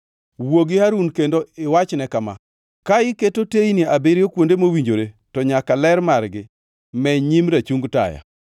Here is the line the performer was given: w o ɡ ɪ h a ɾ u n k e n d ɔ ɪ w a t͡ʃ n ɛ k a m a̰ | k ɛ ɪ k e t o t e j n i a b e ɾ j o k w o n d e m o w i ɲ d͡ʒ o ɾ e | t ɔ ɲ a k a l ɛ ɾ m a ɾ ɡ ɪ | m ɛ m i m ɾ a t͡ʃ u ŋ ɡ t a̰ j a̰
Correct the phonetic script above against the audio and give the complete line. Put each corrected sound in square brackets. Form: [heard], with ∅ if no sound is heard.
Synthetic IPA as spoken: w o ɡ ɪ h a ɾ u n k e n d [o] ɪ w a t͡ʃ n ɛ k a m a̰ | k [a] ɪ k e t o t e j n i a b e ɾ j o k w o n d e m o w i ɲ d͡ʒ o ɾ e | t ɔ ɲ a k a l ɛ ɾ m a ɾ ɡ ɪ | m ɛ [ɲ] i m ɾ a t͡ʃ u ŋ ɡ t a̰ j a̰